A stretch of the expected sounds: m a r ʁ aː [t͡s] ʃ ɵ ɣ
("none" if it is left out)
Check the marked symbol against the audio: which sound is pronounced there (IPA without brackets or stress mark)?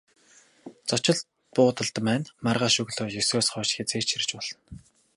none